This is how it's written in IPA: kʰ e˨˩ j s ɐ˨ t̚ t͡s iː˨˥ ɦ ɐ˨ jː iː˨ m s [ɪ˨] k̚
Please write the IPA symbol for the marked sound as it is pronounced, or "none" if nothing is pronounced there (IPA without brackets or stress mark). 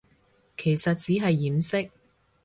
ɪ˥